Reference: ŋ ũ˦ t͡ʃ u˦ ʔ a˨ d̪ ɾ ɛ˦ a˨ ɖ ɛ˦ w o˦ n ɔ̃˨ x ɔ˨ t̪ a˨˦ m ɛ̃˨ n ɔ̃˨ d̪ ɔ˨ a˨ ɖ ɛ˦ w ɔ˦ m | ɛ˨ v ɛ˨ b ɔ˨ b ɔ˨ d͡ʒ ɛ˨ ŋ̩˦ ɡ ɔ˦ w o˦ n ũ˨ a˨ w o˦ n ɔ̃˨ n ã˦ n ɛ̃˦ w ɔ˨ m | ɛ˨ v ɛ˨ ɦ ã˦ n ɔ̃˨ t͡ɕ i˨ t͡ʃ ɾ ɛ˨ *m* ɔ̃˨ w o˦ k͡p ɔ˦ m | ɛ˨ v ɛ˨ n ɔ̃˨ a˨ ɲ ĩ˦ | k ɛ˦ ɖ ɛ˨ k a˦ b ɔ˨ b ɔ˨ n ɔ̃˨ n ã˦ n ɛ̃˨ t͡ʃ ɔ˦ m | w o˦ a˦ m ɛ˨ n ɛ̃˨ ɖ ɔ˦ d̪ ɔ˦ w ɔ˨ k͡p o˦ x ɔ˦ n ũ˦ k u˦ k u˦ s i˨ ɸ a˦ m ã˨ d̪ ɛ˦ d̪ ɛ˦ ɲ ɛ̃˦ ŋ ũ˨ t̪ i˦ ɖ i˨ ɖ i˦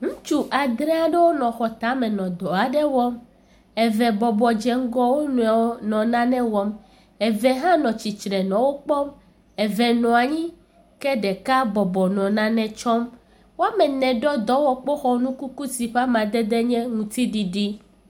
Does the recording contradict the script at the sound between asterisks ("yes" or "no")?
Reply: yes